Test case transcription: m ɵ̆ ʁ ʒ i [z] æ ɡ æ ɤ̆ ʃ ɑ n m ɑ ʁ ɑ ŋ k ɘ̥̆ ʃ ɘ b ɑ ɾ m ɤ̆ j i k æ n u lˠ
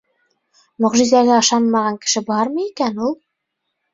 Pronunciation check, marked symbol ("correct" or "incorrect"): correct